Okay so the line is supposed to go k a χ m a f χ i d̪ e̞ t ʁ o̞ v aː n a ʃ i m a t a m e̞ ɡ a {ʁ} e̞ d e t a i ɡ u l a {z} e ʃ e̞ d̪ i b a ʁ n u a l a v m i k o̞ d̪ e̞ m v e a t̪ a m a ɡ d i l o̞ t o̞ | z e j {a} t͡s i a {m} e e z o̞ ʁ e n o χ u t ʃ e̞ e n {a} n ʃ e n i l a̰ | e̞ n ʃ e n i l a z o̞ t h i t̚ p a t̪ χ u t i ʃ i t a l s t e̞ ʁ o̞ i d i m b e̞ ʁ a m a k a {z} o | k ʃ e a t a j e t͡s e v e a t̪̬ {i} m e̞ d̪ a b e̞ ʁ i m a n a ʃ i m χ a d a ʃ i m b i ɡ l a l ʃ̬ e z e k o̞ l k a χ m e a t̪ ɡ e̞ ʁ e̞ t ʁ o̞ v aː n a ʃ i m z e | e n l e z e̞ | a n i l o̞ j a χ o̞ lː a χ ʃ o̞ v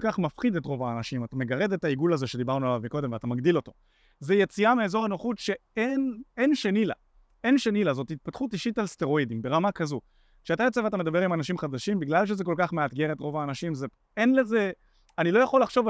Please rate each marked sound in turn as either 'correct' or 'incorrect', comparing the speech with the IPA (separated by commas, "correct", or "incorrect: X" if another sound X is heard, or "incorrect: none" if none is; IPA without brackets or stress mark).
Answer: correct, correct, incorrect: e, correct, incorrect: e, correct, incorrect: a